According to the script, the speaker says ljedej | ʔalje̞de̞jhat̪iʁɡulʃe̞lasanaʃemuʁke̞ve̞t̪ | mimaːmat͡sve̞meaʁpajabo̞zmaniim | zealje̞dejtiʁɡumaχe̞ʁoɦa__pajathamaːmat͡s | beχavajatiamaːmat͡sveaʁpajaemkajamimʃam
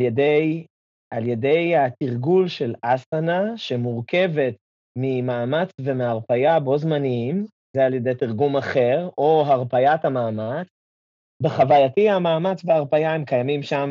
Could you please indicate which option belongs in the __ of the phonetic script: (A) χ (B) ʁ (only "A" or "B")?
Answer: B